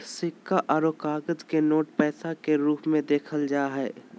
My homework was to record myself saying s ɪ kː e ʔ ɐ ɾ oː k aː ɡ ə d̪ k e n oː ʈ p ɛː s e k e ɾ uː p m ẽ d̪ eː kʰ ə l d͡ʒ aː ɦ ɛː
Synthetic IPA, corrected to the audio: s ɪ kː a ʔ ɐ ɾ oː k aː ɡ ə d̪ k e n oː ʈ p ɛː s a k e ɾ uː p m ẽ d̪ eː kʰ ə l d͡ʒ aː ɦ ɛː